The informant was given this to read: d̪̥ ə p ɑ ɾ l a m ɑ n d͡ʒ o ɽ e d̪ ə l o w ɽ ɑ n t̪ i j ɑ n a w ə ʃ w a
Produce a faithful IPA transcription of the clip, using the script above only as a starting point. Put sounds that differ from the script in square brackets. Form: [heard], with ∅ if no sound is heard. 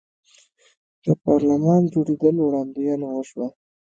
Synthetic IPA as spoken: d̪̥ ə p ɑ ɾ l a m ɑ n d͡ʒ o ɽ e d̪ ə l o w ɽ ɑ n [d̪] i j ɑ n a w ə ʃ w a

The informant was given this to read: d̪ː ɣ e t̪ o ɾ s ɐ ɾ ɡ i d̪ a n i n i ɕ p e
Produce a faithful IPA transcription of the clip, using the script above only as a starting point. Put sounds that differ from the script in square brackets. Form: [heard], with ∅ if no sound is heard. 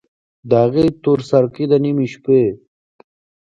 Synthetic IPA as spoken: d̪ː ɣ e t̪ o ɾ s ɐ ɾ [k] i d̪ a n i [m] i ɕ p e

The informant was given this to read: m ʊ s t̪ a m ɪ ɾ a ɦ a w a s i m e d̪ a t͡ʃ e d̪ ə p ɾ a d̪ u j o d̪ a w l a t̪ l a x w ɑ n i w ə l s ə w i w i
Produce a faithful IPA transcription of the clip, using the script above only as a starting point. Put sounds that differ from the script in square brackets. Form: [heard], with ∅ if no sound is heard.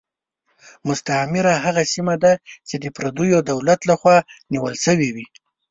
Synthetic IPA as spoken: m ʊ s t̪ a m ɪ ɾ a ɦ a [ɣ] a s i m [a] d̪ a t͡ʃ e d̪ ə p ɾ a d̪ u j o d̪ a w l a t̪ l a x w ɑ n i w ə l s ə w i w i

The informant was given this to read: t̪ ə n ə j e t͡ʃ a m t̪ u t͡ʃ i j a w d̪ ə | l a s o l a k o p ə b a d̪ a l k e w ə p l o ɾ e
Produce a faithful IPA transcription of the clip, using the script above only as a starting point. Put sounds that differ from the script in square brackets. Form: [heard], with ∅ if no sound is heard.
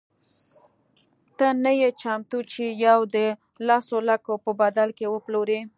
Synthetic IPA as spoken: t̪ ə n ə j e t͡ʃ a m t̪ u t͡ʃ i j a w d̪ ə | l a s o l a k o p ə b a d̪ a l k e w ə p l o ɾ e

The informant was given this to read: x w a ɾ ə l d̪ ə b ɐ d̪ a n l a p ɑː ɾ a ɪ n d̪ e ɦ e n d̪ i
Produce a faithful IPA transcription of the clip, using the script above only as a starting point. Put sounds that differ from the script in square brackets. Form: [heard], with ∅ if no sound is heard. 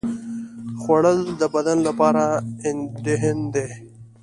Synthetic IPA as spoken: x w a [ɽ] ə l d̪ ə b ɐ d̪ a n l a p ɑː ɾ a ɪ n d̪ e ɦ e n d̪ [e]

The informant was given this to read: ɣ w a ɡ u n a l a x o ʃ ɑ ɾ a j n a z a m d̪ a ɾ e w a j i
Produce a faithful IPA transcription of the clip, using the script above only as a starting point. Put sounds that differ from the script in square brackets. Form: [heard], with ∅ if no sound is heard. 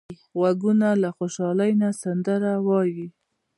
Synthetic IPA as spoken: ɣ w a ɡ u n a l a x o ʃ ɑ [l] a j n a [s] a [n] d̪ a ɾ [a] w [ɑ] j i

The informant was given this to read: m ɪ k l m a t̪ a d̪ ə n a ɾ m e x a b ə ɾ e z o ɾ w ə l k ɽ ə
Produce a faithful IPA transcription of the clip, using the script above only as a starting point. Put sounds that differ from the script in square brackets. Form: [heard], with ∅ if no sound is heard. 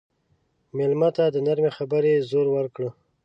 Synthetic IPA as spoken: m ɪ [∅] l m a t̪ a d̪ ə n a ɾ m e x a b ə ɾ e z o ɾ w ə [ɾ] k ɽ ə

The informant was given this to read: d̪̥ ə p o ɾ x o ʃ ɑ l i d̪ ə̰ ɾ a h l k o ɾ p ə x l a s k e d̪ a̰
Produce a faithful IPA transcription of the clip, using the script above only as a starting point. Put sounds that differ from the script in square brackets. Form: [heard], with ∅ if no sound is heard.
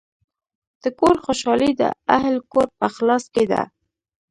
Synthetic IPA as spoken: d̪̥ ə [k] o ɾ x o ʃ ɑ l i d̪ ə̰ [∅] a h l k o ɾ p ə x l [ɑ] s k e d̪ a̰

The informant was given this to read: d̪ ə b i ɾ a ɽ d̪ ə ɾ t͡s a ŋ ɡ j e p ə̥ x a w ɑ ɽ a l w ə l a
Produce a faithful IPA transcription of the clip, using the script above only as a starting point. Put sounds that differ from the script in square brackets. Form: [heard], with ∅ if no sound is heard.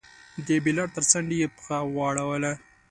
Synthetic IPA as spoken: d̪ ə b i [l] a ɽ [t̪] ə ɾ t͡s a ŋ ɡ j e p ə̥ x a w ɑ ɽ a [∅] w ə l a

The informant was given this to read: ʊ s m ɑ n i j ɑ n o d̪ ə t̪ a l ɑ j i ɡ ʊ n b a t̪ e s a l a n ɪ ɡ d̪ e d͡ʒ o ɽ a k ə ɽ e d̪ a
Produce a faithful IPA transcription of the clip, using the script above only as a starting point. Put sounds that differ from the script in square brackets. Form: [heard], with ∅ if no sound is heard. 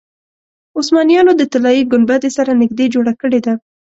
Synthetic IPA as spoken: ʊ s m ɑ n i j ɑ n o d̪ ə t̪ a l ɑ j i ɡ ʊ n b a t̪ e s a [ɾ] a n ɪ ɡ d̪ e d͡ʒ o ɽ a k ə ɽ e d̪ a

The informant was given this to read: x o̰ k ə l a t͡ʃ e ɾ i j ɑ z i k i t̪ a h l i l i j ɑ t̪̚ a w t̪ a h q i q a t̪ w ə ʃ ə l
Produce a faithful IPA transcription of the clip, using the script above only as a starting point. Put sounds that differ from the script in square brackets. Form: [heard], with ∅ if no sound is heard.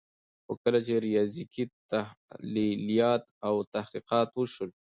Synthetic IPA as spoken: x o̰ k ə l a t͡ʃ e ɾ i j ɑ z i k i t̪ a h l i l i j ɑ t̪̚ a w t̪ a h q i q [ɑ] t̪ w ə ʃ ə l

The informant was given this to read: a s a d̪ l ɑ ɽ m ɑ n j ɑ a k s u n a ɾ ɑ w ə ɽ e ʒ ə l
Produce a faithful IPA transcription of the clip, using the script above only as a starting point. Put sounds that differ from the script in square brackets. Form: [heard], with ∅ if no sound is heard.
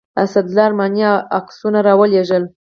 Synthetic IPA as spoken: a s a d̪ l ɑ [ɾ] m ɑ n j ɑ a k s u n a ɾ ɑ w ə [l] e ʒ ə l

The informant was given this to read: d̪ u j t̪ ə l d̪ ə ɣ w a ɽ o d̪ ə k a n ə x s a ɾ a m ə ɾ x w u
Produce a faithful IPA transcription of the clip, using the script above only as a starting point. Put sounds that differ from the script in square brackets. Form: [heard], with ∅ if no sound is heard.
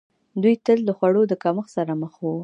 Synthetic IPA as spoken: d̪ u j t̪ ə l d̪ ə [x] w a ɽ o d̪ ə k a [m] ə x s a ɾ a m ə [∅] x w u

